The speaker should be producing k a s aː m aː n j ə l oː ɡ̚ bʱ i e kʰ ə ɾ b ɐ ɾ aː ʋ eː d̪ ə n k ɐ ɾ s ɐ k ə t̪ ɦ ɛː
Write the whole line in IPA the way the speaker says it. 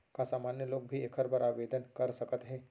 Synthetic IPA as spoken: k a s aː m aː n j ə l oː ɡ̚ bʱ i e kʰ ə ɾ b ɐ ɾ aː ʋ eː d̪ ə n k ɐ ɾ s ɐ k ə t̪ ɦ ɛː